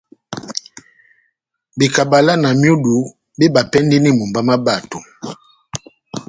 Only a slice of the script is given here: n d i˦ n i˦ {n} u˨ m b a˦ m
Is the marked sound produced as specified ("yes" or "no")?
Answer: no